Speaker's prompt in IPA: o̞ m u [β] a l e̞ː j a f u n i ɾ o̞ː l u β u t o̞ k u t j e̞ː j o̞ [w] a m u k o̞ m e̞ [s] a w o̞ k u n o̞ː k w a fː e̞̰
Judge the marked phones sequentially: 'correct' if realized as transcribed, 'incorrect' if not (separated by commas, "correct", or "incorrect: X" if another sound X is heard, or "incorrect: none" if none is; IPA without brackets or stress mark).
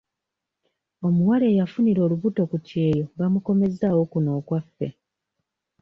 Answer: incorrect: w, incorrect: β, incorrect: z